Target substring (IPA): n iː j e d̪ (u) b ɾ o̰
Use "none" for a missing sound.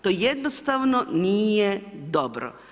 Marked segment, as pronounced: o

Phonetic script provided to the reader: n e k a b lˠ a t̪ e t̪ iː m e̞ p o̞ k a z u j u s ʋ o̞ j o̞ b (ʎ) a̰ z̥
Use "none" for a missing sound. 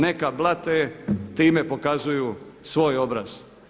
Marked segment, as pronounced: ɾ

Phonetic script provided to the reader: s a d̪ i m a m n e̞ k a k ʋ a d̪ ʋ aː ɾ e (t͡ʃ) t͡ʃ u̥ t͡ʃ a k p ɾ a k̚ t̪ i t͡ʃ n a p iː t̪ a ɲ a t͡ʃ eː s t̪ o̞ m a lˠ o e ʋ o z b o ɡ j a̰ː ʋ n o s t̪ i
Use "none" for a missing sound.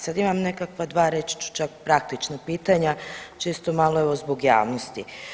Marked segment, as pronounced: t͡ʃ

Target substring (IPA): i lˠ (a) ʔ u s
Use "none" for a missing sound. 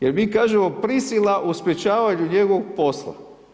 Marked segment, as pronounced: a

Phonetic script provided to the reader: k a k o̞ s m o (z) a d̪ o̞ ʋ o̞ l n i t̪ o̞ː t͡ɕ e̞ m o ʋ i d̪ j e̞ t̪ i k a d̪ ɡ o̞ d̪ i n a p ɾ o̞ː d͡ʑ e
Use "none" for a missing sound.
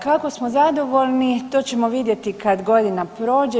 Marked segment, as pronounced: z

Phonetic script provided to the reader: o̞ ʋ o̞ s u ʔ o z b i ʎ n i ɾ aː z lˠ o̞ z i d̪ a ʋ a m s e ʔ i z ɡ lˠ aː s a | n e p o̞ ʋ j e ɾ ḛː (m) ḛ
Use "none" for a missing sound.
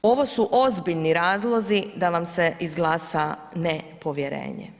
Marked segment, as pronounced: ɲ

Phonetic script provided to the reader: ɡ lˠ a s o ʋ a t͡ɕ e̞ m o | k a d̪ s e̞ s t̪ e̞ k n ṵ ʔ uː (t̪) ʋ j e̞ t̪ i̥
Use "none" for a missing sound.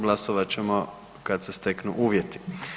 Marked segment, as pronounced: none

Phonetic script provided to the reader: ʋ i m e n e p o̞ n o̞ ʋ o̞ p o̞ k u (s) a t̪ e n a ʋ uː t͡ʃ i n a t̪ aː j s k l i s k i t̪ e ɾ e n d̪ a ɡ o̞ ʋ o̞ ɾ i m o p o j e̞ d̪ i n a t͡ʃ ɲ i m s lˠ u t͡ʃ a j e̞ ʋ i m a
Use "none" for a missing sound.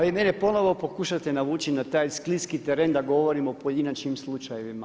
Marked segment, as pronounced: ʃ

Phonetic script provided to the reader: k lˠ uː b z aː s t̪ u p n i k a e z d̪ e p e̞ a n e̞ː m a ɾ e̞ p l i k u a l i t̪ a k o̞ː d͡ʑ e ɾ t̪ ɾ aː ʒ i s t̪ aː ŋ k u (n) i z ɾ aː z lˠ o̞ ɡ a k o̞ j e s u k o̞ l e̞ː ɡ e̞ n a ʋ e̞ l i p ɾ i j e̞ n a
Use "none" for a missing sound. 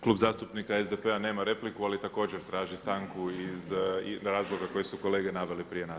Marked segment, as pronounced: none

